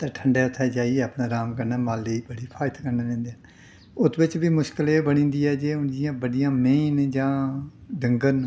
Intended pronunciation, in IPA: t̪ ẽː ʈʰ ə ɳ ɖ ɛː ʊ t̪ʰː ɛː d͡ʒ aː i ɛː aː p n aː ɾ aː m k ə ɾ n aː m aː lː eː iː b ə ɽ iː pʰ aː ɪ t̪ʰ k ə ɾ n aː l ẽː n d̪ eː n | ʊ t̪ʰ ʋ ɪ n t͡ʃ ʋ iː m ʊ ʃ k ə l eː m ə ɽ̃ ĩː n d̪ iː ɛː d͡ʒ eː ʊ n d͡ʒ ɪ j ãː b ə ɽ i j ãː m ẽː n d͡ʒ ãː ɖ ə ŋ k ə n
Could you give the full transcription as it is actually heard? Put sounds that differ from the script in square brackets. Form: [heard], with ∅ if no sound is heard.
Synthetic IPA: t̪ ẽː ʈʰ ə ɳ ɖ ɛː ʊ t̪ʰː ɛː d͡ʒ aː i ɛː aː p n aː ɾ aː m k ə ɾ n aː m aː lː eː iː b ə ɽ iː pʰ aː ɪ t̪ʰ k ə ɾ n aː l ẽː n d̪ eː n | ʊ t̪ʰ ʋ ɪ [∅] t͡ʃ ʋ iː m ʊ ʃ k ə l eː [b] ə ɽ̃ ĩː n d̪ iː ɛː d͡ʒ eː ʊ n d͡ʒ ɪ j ãː b ə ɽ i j ãː m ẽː n d͡ʒ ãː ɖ ə ŋ [ɡ] ə n